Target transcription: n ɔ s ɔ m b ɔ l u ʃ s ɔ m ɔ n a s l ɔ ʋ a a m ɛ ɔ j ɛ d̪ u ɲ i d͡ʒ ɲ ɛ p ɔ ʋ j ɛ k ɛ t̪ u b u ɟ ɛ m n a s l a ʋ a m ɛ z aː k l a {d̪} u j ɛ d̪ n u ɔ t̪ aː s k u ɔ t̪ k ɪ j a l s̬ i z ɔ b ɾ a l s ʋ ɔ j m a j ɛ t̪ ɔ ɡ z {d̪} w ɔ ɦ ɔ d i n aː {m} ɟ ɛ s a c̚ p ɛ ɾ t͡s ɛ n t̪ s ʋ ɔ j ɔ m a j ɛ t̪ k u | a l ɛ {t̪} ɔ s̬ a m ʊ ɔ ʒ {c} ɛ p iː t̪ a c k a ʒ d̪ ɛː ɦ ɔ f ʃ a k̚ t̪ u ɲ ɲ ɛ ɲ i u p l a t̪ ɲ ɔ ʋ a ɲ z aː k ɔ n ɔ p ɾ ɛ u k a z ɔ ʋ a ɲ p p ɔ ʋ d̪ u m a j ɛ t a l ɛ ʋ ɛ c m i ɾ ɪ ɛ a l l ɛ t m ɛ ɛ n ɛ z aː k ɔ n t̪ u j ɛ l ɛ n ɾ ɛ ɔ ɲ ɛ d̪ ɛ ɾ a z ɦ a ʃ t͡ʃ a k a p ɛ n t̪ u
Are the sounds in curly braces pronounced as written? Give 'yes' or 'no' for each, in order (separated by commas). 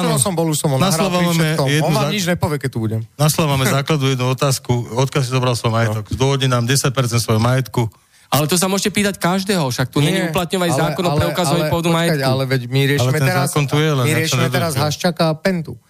yes, yes, yes, yes, yes